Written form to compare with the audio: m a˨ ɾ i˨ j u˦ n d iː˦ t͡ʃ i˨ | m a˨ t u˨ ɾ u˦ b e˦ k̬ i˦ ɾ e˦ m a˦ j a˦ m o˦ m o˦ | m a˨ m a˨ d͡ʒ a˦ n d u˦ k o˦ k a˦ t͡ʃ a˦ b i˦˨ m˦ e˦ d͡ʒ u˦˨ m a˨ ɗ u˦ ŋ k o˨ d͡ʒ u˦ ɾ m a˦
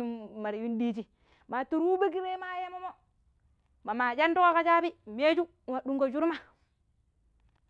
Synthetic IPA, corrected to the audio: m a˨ ɾ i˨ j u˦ n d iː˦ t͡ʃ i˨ | m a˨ t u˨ ɾ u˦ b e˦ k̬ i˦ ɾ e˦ m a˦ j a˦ m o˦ m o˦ | m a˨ m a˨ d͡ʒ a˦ n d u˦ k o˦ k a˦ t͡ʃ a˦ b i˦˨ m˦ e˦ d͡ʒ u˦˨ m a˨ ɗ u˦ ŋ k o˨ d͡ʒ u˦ ɾ m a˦